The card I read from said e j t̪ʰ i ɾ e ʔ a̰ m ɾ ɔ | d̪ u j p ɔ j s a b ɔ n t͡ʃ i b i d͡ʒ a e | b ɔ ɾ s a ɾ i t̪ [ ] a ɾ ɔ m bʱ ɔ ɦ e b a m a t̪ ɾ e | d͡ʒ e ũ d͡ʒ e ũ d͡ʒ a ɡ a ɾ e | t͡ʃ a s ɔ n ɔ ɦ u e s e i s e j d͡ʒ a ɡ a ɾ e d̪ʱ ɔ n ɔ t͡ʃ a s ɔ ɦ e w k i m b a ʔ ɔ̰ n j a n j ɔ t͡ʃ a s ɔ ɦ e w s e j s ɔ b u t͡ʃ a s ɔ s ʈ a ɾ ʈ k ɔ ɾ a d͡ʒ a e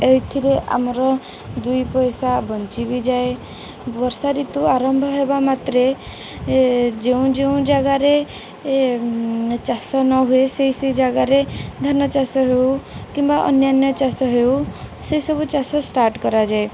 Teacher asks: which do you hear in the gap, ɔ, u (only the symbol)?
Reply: u